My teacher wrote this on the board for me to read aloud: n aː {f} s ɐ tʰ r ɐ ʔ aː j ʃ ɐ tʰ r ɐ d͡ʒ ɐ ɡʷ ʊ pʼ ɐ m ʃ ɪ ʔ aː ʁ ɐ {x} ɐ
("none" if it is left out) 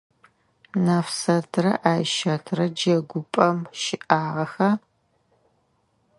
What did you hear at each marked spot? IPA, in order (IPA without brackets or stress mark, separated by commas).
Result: f, x